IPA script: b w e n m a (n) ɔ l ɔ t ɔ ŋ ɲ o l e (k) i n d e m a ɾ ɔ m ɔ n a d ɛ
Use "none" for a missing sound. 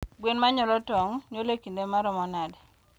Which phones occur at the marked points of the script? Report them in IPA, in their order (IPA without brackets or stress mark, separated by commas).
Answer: ɲ, k